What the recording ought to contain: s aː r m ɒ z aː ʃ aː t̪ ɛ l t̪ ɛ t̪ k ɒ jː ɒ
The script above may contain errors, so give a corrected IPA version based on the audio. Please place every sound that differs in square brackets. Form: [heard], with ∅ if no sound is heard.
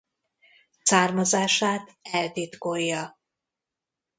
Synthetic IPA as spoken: s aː r m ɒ z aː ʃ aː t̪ ɛ l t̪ [i] t̪ k [o] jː ɒ

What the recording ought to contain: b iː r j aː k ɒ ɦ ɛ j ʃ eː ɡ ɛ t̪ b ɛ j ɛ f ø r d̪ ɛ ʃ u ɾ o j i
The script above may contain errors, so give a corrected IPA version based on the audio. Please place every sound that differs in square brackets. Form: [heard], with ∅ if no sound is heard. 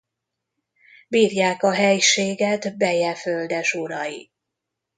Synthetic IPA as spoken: b iː r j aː k ɒ ɦ ɛ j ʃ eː ɡ ɛ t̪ b ɛ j ɛ f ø [l] d̪ ɛ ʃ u ɾ [ɒ] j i

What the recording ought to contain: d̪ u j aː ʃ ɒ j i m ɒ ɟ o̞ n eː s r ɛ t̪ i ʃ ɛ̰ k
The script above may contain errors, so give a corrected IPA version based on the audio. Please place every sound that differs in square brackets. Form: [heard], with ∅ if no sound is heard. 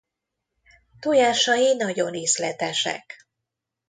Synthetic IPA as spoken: [t̪] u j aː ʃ ɒ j i [n] ɒ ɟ o̞ n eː s [l] ɛ t̪ [ɛ] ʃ ɛ̰ k

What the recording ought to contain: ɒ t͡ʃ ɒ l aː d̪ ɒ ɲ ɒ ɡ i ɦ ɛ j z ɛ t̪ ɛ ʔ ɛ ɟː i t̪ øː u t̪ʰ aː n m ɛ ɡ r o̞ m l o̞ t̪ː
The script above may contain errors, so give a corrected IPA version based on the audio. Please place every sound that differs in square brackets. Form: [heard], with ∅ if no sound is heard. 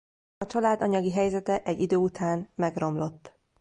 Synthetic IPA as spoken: ɒ t͡ʃ ɒ l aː d̪ ɒ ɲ ɒ ɡ i ɦ ɛ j z ɛ t̪ ɛ ʔ ɛ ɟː i [d̪] øː u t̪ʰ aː n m ɛ ɡ r o̞ m l o̞ t̪ː

